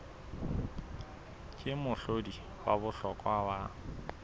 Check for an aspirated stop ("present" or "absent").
absent